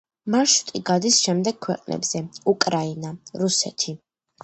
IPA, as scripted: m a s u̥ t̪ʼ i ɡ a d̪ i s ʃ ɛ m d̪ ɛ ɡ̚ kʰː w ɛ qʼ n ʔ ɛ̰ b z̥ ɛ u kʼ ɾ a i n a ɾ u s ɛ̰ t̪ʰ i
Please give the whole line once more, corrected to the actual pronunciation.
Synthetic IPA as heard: m a ʃ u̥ t̪ʼ i ɡ a d̪ i s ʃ ɛ m d̪ ɛ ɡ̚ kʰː w ɛ qʼ n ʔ ɛ̰ b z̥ ɛ u kʼ ɾ a i n a ɾ u s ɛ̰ t̪ʰ i